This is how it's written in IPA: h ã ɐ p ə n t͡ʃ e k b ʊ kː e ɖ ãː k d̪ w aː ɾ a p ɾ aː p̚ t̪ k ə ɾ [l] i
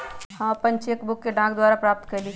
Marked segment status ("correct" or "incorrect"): correct